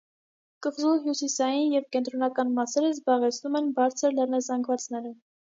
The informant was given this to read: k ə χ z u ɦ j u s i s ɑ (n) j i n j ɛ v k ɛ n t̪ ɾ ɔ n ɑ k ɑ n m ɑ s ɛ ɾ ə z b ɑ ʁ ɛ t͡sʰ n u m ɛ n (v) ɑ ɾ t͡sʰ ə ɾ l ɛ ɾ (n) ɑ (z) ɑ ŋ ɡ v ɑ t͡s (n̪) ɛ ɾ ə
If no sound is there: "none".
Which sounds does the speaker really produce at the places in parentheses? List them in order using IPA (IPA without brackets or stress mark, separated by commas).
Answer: none, b, n, z, n̪